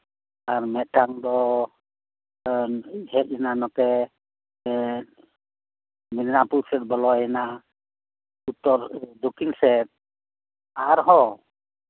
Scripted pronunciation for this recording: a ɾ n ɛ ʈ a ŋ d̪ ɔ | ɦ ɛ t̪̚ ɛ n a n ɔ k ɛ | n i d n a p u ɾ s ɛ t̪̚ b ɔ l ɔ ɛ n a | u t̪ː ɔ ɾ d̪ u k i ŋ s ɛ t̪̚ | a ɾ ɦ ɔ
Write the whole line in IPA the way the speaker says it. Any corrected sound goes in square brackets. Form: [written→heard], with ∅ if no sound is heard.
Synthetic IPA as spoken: a ɾ [n→m] ɛ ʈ a ŋ d̪ ɔ | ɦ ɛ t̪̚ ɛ n a n ɔ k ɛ | [n→m] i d n a p u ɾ s ɛ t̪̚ b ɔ l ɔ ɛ n a | u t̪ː ɔ ɾ d̪ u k i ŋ s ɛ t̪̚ | a ɾ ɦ ɔ